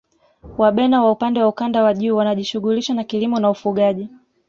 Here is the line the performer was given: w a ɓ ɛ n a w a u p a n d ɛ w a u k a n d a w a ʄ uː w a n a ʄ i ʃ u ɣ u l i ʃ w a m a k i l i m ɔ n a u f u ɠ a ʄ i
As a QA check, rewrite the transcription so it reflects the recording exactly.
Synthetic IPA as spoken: w a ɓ ɛ n a w a u p a n d ɛ w a u k a n d a w a ʄ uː w a n a ʄ i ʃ u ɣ u l i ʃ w a n a k i l i m ɔ n a u f u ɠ a ʄ i